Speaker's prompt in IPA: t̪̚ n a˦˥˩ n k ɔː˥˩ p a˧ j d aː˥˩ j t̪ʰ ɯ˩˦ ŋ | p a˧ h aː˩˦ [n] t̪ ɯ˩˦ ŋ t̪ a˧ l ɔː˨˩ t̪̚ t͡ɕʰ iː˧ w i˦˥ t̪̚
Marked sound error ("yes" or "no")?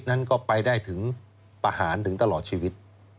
no